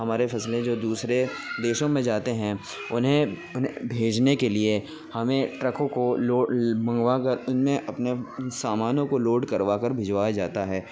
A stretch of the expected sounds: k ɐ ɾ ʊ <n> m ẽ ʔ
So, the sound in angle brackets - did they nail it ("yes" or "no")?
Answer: yes